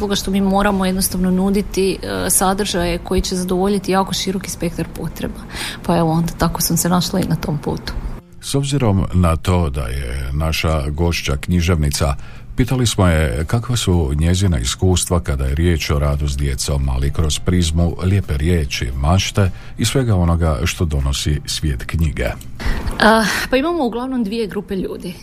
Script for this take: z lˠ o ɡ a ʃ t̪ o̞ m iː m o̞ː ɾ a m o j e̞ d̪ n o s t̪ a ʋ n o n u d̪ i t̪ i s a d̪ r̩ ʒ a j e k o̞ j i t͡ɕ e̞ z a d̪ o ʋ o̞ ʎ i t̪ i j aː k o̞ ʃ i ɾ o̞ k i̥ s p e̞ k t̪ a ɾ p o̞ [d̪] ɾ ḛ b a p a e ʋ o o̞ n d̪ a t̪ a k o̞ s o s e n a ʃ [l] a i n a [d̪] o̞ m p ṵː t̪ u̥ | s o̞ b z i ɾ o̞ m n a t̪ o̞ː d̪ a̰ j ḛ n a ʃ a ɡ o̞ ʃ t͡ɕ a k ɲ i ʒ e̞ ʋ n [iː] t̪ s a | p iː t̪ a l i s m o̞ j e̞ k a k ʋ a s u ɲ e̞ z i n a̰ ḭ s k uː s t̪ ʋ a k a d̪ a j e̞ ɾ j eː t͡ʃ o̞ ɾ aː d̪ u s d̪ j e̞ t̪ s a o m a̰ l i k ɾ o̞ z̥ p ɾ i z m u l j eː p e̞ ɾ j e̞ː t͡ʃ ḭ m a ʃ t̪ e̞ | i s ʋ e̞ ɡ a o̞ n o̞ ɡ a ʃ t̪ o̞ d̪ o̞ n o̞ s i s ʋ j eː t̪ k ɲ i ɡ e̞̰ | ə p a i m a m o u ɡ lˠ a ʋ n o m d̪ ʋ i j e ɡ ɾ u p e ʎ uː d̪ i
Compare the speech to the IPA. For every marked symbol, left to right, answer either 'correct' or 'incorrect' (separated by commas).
incorrect, correct, incorrect, incorrect